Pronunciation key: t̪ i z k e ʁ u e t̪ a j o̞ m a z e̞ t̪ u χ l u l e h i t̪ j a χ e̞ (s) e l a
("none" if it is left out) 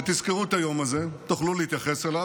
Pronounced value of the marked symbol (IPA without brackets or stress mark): s